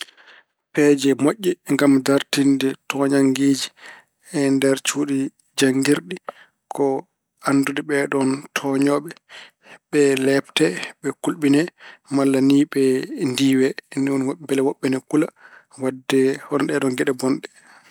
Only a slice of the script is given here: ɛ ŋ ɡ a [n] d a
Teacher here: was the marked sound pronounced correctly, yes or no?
no